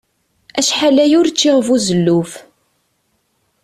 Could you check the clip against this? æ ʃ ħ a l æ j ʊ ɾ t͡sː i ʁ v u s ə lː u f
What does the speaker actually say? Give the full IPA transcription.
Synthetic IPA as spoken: æ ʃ ħ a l æ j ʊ ɾ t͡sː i ʁ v u z ə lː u f